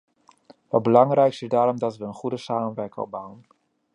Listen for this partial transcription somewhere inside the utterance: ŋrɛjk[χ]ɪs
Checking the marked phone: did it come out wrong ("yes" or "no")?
yes